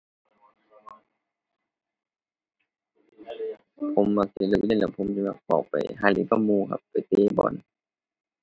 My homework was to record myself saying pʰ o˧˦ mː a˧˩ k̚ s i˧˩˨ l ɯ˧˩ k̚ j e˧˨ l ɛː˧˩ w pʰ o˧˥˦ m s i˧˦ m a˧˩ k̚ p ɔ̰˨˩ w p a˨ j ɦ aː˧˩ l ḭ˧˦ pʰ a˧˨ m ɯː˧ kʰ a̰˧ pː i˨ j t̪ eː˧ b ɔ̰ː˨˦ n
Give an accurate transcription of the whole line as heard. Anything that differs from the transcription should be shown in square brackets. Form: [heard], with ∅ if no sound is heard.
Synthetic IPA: pʰ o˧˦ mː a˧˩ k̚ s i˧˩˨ l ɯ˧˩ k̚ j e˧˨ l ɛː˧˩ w pʰ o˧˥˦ m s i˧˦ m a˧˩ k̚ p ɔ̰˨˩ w p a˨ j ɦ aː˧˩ l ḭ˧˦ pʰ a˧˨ m [uː˧] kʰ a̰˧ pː [a˨] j t̪ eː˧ b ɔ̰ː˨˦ n